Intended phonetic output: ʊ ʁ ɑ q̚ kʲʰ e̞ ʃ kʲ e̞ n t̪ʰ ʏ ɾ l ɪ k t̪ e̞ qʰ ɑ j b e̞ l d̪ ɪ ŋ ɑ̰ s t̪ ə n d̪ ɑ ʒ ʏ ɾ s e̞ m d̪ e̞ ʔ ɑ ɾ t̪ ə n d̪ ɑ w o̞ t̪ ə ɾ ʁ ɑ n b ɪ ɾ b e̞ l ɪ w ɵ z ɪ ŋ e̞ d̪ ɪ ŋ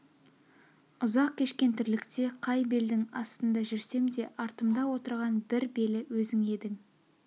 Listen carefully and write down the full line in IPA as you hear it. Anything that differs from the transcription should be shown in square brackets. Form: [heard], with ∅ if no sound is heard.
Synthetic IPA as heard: ʊ [z] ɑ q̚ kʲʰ e̞ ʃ kʲ e̞ n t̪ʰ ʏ ɾ l ɪ k t̪ e̞ qʰ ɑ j b e̞ l d̪ ɪ ŋ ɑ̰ s t̪ ə n d̪ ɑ ʒ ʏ ɾ s e̞ m d̪ e̞ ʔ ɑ ɾ t̪ ə [m] d̪ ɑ w o̞ t̪ ə ɾ ʁ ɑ n b ɪ ɾ b e̞ l ɪ w ɵ z ɪ ŋ e̞ d̪ ɪ ŋ